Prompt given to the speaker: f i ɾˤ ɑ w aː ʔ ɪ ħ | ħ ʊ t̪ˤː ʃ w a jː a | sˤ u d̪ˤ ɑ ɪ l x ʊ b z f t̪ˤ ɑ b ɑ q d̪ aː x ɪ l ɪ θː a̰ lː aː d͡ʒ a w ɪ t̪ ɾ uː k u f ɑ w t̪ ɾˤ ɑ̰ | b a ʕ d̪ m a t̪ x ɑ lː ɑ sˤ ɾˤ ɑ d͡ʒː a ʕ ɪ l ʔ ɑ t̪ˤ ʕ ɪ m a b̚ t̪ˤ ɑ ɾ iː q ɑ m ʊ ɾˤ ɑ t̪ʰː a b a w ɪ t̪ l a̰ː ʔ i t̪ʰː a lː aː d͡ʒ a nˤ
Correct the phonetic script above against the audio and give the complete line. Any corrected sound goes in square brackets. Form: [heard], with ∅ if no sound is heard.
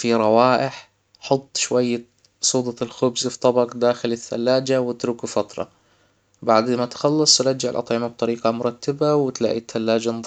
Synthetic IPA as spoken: f i ɾˤ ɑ w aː ʔ ɪ ħ | ħ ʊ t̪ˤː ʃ w a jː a | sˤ [uː] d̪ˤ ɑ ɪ l x ʊ b z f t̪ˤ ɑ b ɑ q d̪ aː x ɪ l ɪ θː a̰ lː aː d͡ʒ a w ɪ t̪ ɾ uː k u f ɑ [∅] t̪ ɾˤ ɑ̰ | b a ʕ d̪ m a t̪ x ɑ lː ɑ sˤ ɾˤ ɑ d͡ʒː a ʕ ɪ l ʔ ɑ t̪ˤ ʕ ɪ m a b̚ t̪ˤ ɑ ɾ iː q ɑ m ʊ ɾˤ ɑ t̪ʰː a b a w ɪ t̪ l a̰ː ʔ i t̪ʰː a lː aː d͡ʒ a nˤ